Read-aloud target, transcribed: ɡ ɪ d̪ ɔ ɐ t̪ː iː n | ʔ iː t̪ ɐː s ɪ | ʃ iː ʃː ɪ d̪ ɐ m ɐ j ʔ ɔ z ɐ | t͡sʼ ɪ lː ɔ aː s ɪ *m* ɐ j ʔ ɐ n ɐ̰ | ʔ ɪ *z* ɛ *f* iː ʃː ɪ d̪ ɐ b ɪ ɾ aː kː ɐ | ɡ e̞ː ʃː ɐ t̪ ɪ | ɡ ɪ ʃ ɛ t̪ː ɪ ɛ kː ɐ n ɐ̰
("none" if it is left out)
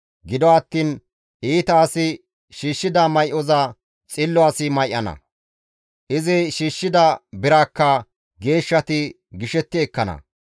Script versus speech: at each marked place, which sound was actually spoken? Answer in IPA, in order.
m, z, ʃ

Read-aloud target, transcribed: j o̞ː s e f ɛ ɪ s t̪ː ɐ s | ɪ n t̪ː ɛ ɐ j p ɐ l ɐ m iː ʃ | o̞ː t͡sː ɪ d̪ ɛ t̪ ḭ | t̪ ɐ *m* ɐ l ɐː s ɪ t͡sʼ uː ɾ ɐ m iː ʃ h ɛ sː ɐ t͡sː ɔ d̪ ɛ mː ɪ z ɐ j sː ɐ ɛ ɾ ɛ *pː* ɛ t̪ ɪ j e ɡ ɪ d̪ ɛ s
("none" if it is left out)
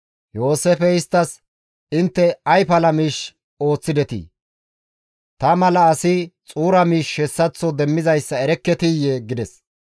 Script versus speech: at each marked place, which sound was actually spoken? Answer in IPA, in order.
m, kː

